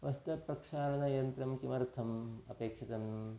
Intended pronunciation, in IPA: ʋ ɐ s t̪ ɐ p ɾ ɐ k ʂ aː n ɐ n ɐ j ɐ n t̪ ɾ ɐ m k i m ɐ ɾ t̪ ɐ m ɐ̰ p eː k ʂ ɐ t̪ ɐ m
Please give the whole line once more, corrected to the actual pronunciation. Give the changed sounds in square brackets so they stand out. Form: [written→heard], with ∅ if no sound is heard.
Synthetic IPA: ʋ ɐ s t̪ ɐ p ɾ ɐ k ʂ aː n ɐ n ɐ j ɐ n t̪ ɾ ɐ m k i m ɐ ɾ [t̪→t̪ʰ] ɐ m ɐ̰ p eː k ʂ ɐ t̪ ɐ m